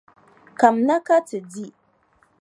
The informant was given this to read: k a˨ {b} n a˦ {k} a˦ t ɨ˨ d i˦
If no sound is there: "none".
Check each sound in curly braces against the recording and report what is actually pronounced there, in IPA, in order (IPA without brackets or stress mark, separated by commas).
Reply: m, k